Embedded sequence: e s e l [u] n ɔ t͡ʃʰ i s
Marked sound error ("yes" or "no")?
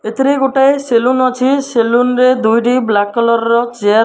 no